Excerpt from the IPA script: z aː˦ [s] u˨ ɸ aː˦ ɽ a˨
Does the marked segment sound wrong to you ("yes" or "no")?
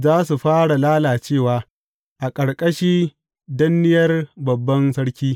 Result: no